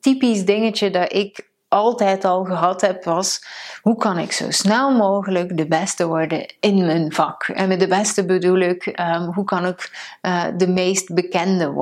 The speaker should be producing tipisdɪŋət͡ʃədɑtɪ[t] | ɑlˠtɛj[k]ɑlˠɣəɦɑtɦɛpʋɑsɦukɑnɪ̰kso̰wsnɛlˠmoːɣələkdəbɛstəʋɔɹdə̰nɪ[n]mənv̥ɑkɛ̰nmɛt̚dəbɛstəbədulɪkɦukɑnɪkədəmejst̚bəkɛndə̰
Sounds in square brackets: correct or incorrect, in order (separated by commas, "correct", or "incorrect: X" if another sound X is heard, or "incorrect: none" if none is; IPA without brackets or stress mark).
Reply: incorrect: k, incorrect: t, correct